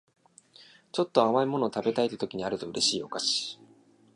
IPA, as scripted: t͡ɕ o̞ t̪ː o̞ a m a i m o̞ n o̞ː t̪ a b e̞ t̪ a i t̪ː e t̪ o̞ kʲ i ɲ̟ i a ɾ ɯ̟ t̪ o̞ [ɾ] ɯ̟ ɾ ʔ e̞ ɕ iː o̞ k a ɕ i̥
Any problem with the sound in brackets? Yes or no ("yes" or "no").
yes